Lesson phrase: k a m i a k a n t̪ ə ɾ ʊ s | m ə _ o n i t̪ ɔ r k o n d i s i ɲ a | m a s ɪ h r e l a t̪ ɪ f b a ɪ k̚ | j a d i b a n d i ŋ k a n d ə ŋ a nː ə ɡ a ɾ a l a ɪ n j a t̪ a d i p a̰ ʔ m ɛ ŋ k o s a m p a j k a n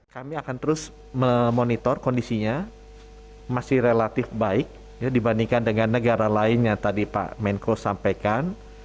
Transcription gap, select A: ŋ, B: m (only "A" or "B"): B